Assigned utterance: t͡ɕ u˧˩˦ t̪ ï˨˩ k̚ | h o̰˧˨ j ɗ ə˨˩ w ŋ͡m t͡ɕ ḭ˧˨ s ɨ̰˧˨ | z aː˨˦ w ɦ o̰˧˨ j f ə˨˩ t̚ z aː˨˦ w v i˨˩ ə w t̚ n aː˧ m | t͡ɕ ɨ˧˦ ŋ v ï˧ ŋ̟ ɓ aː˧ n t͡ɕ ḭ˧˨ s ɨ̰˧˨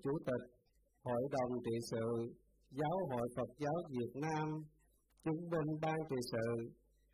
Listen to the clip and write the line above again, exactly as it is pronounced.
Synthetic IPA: t͡ɕ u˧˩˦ t̪ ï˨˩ k̚ | h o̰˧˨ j ɗ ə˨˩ w ŋ͡m t͡ɕ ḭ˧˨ s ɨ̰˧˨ | z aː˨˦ w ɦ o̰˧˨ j f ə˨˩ t̚ z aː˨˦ w v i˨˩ ə t̚ n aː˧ m | t͡ɕ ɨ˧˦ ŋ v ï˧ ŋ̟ ɓ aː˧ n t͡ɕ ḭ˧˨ s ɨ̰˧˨